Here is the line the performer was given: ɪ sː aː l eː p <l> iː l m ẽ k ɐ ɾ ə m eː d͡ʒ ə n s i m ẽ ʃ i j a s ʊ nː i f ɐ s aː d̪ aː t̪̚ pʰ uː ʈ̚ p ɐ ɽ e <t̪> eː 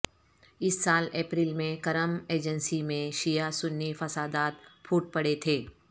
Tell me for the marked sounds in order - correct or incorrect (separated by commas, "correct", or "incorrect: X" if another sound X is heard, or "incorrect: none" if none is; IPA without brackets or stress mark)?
incorrect: ɾ, incorrect: t̪ʰ